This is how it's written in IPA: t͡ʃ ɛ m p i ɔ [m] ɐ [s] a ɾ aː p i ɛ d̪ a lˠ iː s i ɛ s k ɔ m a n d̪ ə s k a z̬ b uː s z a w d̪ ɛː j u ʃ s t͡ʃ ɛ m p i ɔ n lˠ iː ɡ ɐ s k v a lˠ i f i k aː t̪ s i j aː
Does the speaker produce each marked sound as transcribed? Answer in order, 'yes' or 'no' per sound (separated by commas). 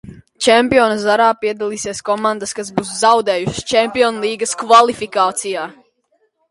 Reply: no, no